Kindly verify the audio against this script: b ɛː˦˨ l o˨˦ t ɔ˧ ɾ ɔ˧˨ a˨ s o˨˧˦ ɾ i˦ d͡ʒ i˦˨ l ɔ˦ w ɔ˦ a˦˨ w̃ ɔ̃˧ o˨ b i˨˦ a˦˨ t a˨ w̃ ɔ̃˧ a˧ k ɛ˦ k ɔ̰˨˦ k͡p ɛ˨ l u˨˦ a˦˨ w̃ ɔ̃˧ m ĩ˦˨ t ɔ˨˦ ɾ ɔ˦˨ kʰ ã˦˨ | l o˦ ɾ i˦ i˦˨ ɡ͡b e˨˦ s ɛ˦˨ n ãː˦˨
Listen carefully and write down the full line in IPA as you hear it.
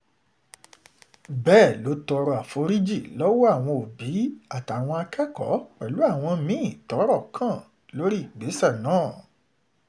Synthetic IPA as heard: b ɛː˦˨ l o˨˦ t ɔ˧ ɾ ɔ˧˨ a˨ f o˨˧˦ ɾ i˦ d͡ʒ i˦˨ l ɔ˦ w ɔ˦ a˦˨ w̃ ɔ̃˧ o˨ b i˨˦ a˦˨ t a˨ w̃ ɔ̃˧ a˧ k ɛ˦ k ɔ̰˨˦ k͡p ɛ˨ l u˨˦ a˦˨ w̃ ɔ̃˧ m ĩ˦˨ t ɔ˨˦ ɾ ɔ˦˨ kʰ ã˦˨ | l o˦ ɾ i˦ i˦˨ ɡ͡b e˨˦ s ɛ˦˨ n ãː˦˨